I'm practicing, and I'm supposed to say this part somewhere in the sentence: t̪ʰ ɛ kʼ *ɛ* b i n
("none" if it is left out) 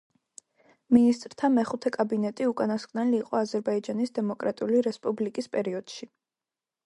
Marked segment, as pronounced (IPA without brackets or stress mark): a